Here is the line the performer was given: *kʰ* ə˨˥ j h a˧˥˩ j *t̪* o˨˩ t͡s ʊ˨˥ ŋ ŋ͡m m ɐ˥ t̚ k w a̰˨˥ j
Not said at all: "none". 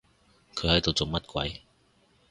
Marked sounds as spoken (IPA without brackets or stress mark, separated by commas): kʰ, t̪